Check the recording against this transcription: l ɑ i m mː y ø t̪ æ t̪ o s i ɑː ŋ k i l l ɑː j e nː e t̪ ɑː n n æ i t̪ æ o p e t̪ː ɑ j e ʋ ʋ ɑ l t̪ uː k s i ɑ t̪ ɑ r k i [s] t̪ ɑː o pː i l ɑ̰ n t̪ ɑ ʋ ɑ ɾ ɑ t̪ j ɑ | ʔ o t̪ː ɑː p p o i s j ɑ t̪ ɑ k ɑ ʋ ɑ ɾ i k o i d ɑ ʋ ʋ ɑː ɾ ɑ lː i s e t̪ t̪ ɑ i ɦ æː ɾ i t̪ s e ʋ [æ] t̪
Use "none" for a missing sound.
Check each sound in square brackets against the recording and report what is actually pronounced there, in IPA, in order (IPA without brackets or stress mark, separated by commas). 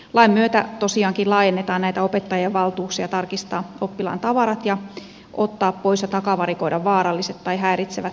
s, æ